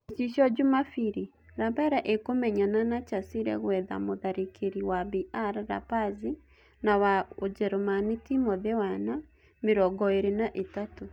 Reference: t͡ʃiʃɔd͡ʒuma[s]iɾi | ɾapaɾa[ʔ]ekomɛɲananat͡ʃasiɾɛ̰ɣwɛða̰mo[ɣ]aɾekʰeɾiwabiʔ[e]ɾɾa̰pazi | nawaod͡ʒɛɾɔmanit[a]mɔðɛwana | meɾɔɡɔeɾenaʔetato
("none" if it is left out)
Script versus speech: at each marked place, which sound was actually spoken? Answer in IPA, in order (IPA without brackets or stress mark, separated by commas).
f, ʔ, ð, a, i